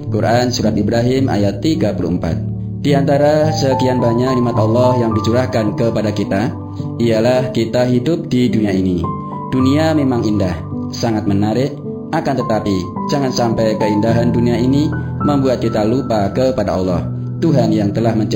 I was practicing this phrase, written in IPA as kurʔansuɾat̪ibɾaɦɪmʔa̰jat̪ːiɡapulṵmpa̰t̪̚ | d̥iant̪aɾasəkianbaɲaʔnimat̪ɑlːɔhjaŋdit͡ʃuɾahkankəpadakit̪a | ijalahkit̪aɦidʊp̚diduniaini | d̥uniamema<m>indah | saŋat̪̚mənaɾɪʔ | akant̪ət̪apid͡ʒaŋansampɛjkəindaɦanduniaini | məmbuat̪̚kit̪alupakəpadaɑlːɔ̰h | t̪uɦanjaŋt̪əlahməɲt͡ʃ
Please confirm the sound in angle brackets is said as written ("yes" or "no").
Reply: no